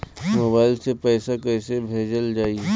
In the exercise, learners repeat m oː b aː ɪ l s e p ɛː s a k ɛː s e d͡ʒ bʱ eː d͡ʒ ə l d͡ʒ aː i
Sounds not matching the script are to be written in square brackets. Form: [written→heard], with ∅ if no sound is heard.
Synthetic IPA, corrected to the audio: m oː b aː ɪ l s e p ɛː s a k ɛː s e [d͡ʒ→∅] bʱ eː d͡ʒ ə l d͡ʒ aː i